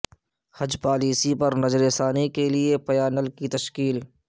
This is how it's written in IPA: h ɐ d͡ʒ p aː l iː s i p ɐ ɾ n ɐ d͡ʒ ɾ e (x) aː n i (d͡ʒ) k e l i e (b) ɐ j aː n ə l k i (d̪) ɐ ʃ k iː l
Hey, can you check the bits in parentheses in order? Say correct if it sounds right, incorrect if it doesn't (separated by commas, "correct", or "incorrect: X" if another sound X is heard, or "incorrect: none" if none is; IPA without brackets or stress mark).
incorrect: s, incorrect: none, incorrect: p, incorrect: t̪